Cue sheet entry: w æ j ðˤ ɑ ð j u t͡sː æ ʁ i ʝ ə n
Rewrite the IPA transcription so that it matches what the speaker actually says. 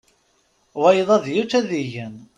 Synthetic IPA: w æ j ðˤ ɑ ð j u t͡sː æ ð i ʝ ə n